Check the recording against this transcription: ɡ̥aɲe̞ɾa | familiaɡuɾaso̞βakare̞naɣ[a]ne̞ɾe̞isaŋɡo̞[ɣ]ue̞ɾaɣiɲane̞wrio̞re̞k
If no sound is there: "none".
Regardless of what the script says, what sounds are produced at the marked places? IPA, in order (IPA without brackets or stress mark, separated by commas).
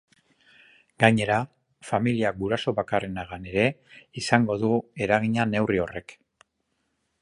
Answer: a, ð